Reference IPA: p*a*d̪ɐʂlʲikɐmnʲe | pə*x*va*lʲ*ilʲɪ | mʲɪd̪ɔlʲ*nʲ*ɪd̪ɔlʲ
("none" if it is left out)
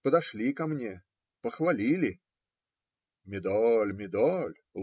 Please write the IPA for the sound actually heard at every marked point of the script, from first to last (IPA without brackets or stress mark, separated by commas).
ə, x, lʲ, mʲ